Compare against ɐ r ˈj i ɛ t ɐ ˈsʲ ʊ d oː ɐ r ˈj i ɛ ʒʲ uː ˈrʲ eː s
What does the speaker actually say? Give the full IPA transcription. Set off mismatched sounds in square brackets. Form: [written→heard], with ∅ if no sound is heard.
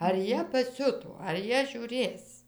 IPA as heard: ɐ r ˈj i ɛ [t→p] ɐ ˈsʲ ʊ [d→t] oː ɐ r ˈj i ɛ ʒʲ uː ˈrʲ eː s